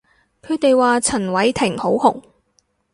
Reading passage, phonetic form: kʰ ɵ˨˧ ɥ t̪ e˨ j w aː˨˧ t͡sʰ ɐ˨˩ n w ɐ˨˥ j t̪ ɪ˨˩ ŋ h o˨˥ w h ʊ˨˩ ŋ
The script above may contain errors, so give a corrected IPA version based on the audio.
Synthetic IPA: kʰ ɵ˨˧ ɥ t̪ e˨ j w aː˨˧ t͡sʰ ɐ˨˩ n w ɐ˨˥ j t̪ʰ ɪ˨˩ ŋ h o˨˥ w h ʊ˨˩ ŋ